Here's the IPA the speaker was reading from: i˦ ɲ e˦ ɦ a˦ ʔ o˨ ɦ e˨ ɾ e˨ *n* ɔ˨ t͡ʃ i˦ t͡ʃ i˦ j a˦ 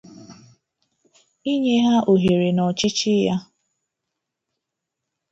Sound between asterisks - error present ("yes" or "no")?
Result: no